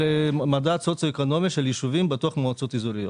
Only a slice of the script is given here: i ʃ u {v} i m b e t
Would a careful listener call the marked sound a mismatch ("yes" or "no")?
no